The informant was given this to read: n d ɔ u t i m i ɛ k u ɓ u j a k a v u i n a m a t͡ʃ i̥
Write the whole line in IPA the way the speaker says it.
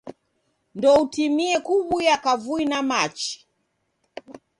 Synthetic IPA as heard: n d ɔ u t i m i ɛ k u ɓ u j a k a v u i n a m a t͡ʃ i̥

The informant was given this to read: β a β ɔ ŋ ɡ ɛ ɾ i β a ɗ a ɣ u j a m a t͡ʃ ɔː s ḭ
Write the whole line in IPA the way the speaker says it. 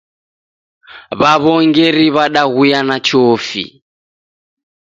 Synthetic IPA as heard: β a β ɔ ŋ ɡ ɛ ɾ i β a ɗ a ɣ u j a n a t͡ʃ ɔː f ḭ

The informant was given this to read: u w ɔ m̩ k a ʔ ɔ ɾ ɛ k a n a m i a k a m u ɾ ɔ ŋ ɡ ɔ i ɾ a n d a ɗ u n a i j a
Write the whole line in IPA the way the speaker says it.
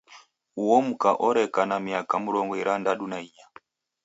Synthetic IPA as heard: u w ɔ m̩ k a ʔ ɔ ɾ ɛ k a n a m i a k a m u ɾ ɔ ŋ ɡ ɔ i ɾ a n d a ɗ u n a i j a

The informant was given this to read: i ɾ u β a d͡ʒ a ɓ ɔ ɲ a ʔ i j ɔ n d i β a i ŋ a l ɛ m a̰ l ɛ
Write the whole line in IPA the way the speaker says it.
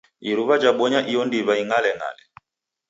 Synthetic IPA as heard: i ɾ u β a d͡ʒ a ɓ ɔ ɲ a ʔ i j ɔ n d i β a i ŋ a l ɛ ŋ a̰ l ɛ

